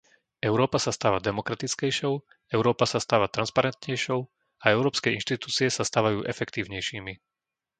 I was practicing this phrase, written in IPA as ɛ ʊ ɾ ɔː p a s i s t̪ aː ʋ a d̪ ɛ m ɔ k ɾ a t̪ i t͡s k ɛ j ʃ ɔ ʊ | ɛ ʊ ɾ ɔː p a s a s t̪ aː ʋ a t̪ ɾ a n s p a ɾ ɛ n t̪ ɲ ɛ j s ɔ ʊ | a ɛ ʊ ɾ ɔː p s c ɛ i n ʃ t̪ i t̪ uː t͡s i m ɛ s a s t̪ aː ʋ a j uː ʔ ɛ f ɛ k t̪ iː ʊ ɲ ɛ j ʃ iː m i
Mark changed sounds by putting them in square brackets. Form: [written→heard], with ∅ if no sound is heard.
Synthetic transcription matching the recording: ɛ ʊ ɾ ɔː p a s [i→a] s t̪ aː ʋ a d̪ ɛ m ɔ k ɾ a t̪ i t͡s k ɛ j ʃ ɔ ʊ | ɛ ʊ ɾ ɔː p a s a s t̪ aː ʋ a t̪ ɾ a n s p a ɾ ɛ n t̪ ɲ ɛ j [s→ʃ] ɔ ʊ | a ɛ ʊ ɾ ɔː p s [c→k] ɛ i n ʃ t̪ i t̪ uː t͡s i [m→∅] ɛ s a s t̪ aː ʋ a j uː ʔ ɛ f ɛ k t̪ iː ʊ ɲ ɛ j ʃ iː m i